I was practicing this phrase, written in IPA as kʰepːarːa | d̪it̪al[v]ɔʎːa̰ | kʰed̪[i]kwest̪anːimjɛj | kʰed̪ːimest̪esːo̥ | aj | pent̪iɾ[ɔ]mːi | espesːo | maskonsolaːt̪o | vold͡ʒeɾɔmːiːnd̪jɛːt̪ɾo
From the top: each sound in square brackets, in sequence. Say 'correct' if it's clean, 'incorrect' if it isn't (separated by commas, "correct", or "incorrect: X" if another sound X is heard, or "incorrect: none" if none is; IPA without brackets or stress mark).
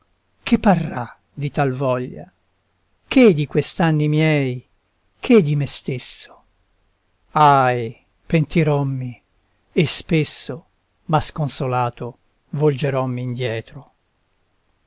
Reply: correct, correct, correct